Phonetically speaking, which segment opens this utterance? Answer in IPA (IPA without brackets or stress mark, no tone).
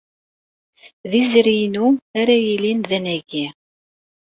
ð